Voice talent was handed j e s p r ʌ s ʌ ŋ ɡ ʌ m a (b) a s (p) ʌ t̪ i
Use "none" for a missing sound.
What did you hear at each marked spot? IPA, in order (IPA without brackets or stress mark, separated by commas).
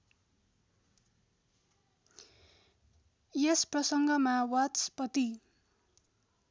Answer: w, p